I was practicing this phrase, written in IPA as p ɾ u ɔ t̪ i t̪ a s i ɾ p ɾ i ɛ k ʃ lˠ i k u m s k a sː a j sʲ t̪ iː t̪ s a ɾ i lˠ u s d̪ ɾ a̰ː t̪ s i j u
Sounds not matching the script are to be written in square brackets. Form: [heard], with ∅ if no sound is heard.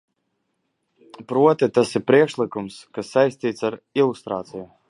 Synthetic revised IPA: p ɾ u ɔ t̪ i t̪ a s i ɾ p ɾ i ɛ k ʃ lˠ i k u m s k a sː a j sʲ t̪ iː t̪ s a ɾ i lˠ u s [t̪] ɾ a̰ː t̪ s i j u